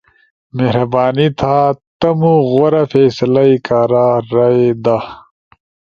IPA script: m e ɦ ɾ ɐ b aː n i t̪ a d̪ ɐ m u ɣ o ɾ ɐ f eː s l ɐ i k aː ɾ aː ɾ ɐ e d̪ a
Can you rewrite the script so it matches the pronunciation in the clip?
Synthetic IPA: m e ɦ ɾ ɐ b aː n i t̪ʰ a t̪ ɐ m u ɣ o ɾ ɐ f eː s l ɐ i k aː ɾ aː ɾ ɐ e d̪ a